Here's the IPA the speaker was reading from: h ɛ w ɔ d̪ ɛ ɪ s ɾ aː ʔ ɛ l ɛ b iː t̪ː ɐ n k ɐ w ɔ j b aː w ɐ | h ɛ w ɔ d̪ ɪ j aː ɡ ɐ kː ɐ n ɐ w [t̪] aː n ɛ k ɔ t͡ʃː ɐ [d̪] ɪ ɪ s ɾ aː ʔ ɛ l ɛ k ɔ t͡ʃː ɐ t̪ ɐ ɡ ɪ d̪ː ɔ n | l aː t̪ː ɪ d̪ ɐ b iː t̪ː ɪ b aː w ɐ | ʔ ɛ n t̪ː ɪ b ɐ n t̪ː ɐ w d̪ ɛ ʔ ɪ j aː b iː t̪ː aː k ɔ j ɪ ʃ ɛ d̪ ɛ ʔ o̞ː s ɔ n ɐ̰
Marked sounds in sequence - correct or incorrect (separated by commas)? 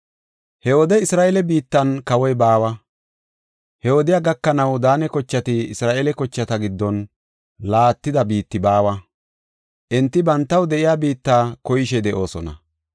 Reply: incorrect, incorrect